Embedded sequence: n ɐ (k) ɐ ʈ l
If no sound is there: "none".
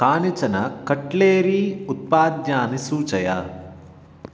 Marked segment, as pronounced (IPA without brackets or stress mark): k